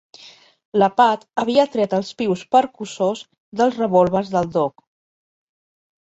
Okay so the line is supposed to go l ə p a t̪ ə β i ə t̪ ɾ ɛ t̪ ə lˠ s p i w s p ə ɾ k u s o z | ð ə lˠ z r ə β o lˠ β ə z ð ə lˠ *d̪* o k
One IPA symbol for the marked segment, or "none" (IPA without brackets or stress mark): d̪